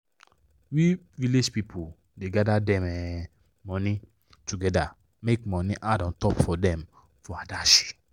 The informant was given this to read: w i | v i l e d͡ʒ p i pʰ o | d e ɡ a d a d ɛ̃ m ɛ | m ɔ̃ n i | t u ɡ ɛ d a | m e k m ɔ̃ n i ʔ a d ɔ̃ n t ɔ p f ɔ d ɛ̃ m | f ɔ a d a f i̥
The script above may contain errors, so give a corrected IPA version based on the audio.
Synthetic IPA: w i | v i l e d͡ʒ p i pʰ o | d e ɡ a d a d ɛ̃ m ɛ | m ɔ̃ n i | t u ɡ ɛ d a | m e k m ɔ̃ n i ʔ a d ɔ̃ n t ɔ p f ɔ d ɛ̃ m | f ɔ a d a ʃ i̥